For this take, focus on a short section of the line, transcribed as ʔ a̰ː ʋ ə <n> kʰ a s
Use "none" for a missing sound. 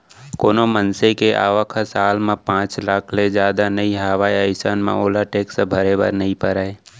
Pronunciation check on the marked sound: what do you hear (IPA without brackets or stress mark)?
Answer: none